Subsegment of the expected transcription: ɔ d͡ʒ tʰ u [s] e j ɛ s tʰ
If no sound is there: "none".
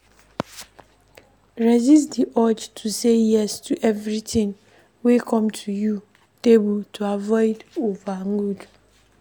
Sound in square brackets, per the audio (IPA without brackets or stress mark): s